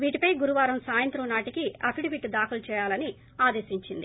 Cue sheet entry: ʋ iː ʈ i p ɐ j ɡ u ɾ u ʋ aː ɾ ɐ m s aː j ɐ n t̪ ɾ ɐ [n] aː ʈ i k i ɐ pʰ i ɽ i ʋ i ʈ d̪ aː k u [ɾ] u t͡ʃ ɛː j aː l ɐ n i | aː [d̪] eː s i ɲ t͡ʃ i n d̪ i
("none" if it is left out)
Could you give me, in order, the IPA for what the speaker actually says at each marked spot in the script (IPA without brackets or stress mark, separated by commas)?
n, l, d̪